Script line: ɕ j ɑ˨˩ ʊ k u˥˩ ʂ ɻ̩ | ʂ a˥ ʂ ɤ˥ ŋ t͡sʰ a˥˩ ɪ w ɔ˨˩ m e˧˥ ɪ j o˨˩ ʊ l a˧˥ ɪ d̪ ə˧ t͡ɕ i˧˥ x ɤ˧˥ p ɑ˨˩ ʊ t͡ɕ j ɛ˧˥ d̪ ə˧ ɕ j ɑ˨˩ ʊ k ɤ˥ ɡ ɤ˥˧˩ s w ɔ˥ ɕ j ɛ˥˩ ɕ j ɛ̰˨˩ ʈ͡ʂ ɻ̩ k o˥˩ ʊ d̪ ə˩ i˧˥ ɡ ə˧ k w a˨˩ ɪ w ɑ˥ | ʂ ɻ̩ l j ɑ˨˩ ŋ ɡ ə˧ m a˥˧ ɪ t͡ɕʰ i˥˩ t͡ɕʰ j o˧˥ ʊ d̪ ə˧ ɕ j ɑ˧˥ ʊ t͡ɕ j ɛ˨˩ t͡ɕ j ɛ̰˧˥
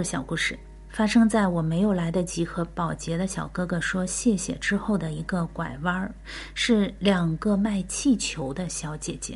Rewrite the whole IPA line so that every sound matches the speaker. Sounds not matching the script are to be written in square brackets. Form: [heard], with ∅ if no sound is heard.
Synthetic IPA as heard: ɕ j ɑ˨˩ ʊ k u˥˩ ʂ ɻ̩ | [f] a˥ ʂ ɤ˥ ŋ [t͡s] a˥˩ ɪ w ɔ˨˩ m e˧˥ ɪ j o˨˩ ʊ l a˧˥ ɪ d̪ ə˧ t͡ɕ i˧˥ x ɤ˧˥ p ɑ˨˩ ʊ t͡ɕ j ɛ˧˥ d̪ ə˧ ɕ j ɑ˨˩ ʊ k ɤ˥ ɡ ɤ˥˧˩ [ʂ] w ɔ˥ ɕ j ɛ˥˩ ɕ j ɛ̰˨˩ ʈ͡ʂ ɻ̩ [x] o˥˩ ʊ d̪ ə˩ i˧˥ ɡ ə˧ k w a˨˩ ɪ w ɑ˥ | ʂ ɻ̩ l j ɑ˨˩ ŋ ɡ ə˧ m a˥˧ ɪ t͡ɕʰ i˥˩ t͡ɕʰ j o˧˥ ʊ d̪ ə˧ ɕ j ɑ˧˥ ʊ t͡ɕ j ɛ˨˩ t͡ɕ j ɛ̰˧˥